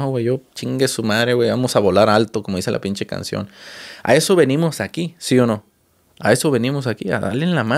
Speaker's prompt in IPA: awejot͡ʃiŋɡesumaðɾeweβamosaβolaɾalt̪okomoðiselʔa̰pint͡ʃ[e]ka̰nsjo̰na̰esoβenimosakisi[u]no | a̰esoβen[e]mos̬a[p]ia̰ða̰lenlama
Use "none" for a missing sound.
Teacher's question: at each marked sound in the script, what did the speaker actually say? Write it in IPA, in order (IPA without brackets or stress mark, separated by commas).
e, o, i, k